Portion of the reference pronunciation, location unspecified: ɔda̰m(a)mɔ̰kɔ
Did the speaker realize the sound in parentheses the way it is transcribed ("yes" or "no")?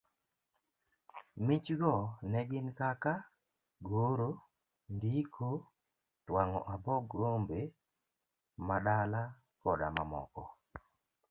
yes